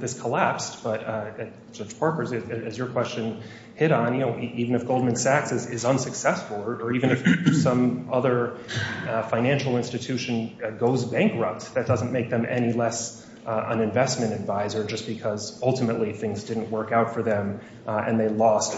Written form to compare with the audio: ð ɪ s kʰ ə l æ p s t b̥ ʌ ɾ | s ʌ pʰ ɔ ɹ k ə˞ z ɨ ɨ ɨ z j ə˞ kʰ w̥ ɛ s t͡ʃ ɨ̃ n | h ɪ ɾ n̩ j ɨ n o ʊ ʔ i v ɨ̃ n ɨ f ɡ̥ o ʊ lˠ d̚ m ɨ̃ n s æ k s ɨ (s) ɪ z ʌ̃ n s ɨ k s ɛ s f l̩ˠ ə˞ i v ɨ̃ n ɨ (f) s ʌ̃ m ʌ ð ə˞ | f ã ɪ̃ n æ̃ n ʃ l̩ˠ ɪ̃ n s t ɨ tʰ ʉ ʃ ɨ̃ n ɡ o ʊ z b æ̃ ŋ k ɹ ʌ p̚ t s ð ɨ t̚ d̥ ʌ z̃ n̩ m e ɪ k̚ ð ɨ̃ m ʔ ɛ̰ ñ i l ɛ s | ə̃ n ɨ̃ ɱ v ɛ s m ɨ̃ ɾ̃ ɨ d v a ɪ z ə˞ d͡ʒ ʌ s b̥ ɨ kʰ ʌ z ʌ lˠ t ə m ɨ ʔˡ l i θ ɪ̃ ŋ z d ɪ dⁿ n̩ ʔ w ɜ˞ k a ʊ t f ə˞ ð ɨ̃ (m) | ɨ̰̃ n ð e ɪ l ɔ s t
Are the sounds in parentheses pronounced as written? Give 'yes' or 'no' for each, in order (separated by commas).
no, yes, yes